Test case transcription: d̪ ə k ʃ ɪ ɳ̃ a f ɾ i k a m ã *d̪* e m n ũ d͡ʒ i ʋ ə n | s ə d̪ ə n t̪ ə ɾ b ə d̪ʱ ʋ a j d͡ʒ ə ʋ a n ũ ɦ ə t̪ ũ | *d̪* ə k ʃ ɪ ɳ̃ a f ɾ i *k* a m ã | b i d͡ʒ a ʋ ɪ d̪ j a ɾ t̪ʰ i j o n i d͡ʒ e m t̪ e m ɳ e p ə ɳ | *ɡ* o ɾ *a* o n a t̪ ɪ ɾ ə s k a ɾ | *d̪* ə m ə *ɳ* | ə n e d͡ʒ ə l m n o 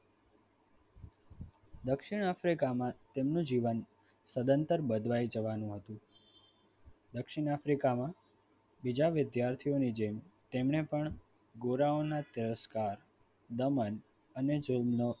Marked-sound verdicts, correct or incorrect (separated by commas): incorrect, correct, correct, correct, correct, correct, incorrect